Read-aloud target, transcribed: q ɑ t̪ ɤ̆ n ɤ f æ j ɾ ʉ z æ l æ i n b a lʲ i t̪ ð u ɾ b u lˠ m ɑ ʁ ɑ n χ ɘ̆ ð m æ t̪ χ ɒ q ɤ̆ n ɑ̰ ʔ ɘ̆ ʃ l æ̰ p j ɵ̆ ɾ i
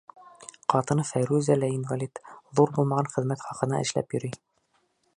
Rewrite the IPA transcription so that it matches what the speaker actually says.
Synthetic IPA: q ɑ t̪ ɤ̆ n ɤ f æ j ɾ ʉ z æ l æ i n v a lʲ i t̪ ð u ɾ b u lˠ m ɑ ʁ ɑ n χ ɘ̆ ð m æ t̪ χ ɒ q ɤ̆ n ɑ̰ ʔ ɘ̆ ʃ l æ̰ p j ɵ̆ ɾ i

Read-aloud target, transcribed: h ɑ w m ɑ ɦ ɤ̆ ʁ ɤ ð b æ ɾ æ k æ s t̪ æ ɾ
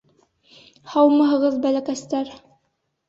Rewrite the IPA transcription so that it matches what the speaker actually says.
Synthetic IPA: h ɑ w m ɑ ɦ ɤ̆ ʁ ɤ ð b æ l æ k æ s t̪ æ ɾ

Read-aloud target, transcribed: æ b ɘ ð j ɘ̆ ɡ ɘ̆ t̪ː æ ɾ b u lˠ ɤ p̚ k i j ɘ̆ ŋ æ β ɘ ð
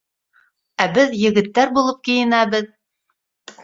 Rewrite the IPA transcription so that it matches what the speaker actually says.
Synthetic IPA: æ b ɘ ð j ɘ̆ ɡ ɘ̆ t̪ː æ ɾ b u lˠ ɤ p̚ k i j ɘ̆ n æ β ɘ ð

